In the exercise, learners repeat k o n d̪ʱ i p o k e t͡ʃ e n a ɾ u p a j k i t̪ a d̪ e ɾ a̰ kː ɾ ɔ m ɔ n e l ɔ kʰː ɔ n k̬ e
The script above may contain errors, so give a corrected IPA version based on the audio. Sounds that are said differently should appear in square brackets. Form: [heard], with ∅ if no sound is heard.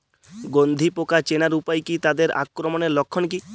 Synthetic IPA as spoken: [ɡ] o n d̪ʱ i p o k [a] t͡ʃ e n a ɾ u p a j k i t̪ a d̪ e ɾ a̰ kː ɾ ɔ m ɔ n e l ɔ kʰː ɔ n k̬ [i]